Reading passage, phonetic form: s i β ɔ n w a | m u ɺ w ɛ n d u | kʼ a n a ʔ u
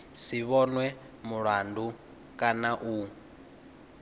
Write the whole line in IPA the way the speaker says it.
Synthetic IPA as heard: s i β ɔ n w ɛ | m u ɺ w a n d u | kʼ a n a ʔ u